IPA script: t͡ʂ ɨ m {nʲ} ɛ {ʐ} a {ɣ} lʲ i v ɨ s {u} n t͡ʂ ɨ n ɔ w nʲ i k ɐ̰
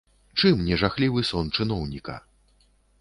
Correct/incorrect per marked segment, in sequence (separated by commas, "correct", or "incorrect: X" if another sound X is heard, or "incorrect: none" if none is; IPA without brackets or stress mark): correct, correct, incorrect: x, incorrect: ɔ